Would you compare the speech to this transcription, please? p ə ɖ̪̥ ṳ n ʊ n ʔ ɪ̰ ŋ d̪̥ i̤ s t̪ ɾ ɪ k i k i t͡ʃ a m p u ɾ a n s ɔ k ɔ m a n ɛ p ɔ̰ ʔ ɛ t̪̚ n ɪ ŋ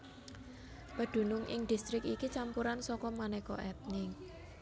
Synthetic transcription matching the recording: p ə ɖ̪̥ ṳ n ʊ ŋ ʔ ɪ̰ ŋ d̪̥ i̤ s t̪ ɾ ɪ k i k i t͡ʃ a m p u ɾ a n s ɔ k ɔ m a n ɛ k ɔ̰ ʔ ɛ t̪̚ n ɪ ŋ